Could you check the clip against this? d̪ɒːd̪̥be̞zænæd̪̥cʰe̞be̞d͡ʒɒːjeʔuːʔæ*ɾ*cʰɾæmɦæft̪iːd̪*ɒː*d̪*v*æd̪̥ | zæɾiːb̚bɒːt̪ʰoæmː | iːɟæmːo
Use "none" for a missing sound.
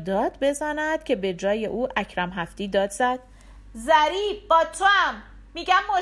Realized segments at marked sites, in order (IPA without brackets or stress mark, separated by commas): none, ɒː, z